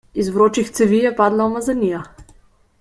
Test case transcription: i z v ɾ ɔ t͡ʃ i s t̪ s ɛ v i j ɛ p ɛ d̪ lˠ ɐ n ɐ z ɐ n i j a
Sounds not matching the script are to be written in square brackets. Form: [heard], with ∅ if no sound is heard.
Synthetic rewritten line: i z v ɾ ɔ t͡ʃ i [x] t̪ s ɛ v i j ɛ p [a] d̪ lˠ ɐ [m] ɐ z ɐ n i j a

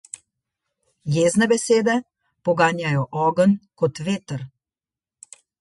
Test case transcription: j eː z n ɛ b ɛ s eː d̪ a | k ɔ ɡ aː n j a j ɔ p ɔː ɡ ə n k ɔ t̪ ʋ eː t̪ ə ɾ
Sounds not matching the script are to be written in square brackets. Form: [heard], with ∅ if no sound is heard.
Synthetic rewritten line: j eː z n ɛ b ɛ s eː d̪ [ɛ] | [p] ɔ ɡ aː n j a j ɔ [ʔ] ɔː ɡ ə n k ɔ t̪ ʋ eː t̪ ə ɾ

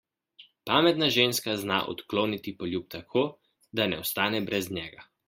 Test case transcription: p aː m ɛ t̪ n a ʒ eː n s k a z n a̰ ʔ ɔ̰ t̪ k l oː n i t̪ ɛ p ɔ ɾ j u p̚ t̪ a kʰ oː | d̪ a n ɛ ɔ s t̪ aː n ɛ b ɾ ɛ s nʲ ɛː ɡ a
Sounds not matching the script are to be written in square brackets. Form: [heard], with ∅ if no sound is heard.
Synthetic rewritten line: p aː m ɛ t̪ n a ʒ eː n s k a z n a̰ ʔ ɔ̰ t̪ k l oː n i t̪ [i] p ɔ [l] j u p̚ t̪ a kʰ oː | d̪ a n ɛ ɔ s t̪ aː n ɛ b ɾ ɛ [z] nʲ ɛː ɡ a

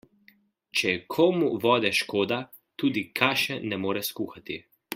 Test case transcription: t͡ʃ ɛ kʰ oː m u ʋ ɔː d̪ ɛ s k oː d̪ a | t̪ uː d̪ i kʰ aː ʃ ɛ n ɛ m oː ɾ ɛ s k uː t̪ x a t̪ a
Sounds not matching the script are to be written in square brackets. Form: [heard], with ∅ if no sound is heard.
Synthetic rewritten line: t͡ʃ ɛ kʰ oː m u ʋ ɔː d̪ ɛ [ʃ] k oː d̪ a | t̪ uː d̪ i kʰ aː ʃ ɛ n ɛ m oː ɾ ɛ s k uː [∅] x a t̪ [i]

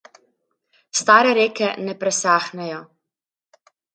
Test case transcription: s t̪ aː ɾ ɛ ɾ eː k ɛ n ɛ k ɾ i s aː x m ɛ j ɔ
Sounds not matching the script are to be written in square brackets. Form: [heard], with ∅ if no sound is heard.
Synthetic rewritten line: s t̪ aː ɾ ɛ ɾ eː k ɛ n ɛ [p] ɾ [ɛ] s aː x [n] ɛ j ɔ

